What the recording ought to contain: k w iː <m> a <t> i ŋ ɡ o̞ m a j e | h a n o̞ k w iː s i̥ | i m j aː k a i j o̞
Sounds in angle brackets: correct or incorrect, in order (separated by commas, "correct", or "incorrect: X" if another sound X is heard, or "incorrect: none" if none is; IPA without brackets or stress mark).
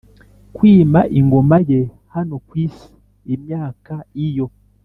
correct, incorrect: ʔ